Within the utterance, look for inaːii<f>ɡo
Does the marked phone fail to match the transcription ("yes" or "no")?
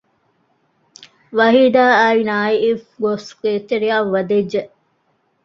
no